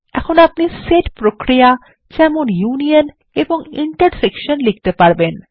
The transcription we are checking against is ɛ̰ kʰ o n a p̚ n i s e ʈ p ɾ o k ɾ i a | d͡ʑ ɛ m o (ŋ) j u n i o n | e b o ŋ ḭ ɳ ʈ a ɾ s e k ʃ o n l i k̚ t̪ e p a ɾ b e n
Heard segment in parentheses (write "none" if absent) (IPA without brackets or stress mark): n